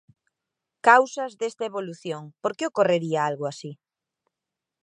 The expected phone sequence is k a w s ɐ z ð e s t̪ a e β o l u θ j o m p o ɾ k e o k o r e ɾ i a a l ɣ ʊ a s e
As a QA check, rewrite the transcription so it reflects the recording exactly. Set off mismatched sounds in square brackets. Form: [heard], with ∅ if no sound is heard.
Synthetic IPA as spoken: k a w s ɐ z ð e s t̪ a e β o l u θ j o [ŋ] p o ɾ k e o k o r e ɾ i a a l ɣ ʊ a s [i]